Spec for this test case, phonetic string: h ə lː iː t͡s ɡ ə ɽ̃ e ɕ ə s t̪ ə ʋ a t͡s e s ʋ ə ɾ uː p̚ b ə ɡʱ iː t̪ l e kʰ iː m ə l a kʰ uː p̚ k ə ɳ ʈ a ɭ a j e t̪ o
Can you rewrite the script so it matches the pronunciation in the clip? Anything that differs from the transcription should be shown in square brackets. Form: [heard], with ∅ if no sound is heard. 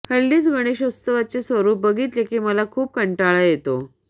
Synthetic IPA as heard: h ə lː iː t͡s ɡ ə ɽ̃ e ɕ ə s t̪ ə ʋ a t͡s e s ʋ ə ɾ uː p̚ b ə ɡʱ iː t̪ l e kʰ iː m ə l a kʰ uː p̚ k ə ɳ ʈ a ɭ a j e t̪ o